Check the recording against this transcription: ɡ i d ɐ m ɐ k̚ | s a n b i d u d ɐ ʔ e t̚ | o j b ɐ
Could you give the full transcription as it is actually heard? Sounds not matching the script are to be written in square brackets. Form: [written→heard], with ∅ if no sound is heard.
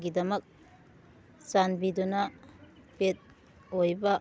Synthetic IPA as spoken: ɡ i d ɐ m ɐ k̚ | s a n b i d u [d→n] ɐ [ʔ→p] e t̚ | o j b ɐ